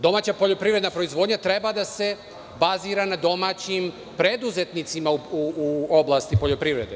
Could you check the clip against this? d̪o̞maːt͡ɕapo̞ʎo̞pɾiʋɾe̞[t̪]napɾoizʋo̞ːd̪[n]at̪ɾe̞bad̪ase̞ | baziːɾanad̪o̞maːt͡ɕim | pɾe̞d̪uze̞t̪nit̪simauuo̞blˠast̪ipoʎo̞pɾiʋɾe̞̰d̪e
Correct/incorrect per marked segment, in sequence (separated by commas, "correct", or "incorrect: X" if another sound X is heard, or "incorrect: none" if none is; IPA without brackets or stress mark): incorrect: d̪, incorrect: ɲ